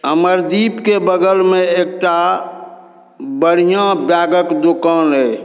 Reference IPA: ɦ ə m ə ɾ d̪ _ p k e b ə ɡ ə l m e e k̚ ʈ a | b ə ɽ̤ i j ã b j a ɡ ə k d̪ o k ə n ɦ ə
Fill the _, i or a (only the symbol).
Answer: i